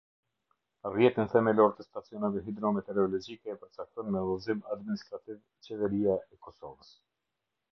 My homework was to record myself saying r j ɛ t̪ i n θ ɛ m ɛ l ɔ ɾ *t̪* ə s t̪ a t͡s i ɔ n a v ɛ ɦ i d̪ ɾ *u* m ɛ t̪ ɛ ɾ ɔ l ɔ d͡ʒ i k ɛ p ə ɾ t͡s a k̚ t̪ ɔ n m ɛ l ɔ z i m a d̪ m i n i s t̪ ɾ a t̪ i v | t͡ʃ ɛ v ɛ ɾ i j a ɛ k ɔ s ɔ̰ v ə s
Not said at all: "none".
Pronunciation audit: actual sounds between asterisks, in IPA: t̪, ɔ

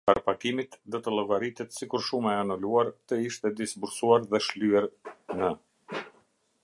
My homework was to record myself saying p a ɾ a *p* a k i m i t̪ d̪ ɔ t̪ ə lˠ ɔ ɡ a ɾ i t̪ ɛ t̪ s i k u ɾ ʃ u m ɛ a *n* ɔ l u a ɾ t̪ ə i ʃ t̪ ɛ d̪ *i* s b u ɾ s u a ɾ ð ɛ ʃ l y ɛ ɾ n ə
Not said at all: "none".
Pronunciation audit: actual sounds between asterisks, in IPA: p, n, i

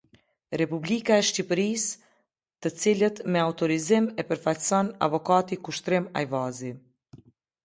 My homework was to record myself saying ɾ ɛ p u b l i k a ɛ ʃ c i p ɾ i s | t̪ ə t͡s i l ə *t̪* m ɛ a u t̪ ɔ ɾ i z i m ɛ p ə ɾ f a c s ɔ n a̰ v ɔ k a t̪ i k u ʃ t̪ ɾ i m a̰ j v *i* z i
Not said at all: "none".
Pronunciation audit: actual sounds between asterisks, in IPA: t̪, a

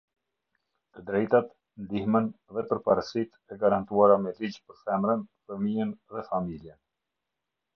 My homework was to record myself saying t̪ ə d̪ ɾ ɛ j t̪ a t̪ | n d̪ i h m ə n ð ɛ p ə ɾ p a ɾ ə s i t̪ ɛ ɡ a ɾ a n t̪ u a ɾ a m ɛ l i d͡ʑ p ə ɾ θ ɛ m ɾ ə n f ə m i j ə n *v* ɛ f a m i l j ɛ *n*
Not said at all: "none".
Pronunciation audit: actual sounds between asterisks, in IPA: ð, n

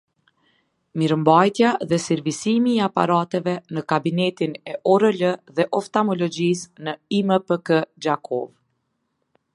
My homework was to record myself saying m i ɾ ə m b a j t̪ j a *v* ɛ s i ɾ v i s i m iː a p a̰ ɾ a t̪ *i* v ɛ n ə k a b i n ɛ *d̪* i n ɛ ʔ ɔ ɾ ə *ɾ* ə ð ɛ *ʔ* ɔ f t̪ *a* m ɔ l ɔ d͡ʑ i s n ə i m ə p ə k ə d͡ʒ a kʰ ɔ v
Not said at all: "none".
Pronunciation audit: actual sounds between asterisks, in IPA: ð, ɛ, t̪, l, ʔ, a

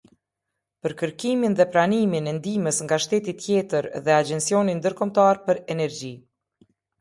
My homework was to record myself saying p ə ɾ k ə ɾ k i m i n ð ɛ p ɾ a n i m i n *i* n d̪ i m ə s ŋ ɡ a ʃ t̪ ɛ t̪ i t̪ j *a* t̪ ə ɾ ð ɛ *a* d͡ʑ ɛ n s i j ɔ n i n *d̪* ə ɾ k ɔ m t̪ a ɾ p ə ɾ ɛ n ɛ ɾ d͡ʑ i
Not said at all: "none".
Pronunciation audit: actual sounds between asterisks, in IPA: ɛ, ɛ, a, d̪

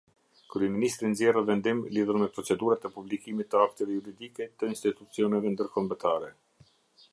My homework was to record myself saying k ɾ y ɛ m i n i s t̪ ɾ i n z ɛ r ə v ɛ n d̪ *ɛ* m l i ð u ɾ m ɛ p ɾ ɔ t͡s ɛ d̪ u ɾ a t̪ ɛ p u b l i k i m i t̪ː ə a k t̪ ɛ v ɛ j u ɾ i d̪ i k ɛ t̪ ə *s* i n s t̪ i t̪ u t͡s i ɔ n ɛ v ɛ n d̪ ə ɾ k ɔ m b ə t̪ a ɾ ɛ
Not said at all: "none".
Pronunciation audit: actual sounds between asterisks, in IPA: i, none

